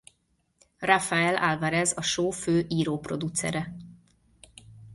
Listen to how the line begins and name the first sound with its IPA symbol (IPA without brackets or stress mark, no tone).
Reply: r